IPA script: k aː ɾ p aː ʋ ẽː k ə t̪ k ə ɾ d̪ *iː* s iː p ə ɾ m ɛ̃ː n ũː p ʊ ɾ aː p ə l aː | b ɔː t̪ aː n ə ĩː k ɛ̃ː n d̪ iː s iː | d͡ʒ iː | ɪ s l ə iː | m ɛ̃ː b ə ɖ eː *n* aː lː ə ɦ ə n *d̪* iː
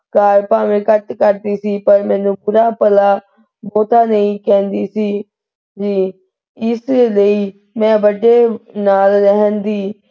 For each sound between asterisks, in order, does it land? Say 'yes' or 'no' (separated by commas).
yes, yes, yes